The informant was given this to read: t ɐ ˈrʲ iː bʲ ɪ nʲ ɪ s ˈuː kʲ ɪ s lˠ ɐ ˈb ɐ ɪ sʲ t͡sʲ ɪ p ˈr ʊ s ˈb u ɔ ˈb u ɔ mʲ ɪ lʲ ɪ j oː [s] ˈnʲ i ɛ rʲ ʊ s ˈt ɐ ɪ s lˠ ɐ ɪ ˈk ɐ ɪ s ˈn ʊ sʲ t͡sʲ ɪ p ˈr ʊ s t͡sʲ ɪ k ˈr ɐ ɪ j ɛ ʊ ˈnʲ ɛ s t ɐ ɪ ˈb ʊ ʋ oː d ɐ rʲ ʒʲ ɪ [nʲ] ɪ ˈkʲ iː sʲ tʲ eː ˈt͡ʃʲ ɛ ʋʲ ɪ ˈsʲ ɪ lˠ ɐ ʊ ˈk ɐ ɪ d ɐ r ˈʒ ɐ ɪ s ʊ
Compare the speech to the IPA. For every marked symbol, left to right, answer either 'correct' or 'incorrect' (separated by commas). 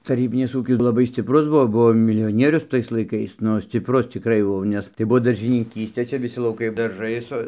incorrect, correct